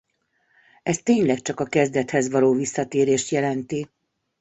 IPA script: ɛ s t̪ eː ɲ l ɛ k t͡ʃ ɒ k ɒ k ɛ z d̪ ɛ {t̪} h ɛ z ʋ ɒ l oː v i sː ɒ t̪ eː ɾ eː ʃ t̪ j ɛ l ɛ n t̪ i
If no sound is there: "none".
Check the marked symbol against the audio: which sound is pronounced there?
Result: t̪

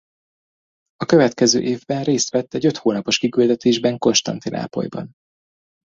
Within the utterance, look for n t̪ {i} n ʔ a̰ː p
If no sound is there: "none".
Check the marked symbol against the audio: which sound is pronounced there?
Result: i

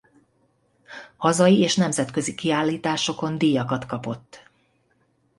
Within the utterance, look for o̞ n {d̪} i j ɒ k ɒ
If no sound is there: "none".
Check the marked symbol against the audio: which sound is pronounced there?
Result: d̪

